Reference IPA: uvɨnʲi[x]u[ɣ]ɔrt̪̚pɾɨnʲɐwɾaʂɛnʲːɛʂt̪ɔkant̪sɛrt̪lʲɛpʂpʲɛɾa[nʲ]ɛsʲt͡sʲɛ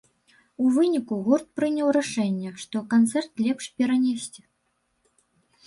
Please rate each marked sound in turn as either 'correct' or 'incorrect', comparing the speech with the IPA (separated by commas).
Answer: incorrect, correct, correct